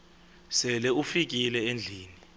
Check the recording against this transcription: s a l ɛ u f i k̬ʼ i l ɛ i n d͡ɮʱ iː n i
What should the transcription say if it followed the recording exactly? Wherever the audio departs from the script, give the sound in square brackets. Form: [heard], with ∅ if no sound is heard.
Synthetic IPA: s [ɛ] l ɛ u f i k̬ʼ i l ɛ [e] n d͡ɮʱ iː n i

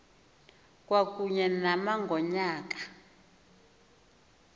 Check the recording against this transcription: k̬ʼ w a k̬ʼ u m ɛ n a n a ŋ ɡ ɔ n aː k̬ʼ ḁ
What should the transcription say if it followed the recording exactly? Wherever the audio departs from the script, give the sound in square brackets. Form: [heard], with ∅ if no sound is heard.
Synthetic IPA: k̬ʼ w a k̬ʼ u [ɲ] ɛ n a [m] a ŋ ɡ ɔ [ɲ] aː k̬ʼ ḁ

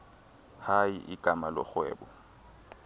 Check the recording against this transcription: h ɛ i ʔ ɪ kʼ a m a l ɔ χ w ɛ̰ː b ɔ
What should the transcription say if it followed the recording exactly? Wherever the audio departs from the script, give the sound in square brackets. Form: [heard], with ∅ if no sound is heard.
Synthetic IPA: h [a] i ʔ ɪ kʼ a m a l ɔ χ w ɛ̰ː b ɔ

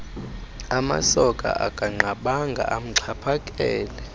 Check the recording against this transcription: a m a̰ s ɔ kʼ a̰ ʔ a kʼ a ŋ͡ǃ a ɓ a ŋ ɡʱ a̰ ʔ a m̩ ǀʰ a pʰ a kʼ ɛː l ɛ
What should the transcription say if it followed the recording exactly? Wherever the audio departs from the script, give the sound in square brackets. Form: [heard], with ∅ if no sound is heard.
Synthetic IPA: a m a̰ s ɔ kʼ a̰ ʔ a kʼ a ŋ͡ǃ a ɓ a ŋ ɡʱ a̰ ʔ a m̩ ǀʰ a pʰ a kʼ ɛː l ɛ

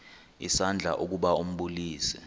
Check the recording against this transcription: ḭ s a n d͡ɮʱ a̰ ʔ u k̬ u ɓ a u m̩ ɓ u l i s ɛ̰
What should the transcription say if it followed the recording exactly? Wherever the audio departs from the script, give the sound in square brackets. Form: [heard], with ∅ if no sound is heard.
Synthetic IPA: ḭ s a n d͡ɮʱ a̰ ʔ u k̬ u ɓ a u m̩ ɓ u l [iː] s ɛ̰

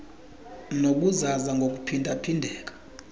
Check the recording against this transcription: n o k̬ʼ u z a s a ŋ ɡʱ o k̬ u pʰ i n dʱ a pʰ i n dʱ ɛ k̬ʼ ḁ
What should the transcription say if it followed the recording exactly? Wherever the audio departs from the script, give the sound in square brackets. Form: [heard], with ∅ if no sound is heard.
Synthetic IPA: n o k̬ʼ u z a [z] a ŋ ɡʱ o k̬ u pʰ i n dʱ a pʰ i n dʱ [ɛː] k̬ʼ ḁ

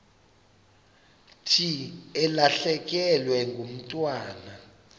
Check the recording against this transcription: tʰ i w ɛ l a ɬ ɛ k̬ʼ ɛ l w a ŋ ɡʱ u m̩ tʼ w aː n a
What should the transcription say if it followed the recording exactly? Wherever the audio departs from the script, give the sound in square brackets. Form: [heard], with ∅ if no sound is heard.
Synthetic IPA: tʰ i [∅] ɛ l a ɬ ɛ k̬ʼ ɛ l w [ɛ] ŋ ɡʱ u m̩ tʼ w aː n a

